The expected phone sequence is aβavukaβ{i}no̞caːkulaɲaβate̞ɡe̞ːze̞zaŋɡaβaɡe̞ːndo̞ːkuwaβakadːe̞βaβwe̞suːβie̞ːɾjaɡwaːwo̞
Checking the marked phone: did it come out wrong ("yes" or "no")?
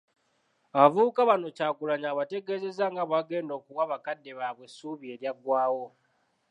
yes